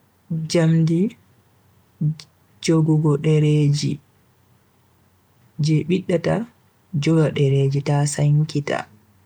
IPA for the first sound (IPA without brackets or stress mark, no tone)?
d͡ʒ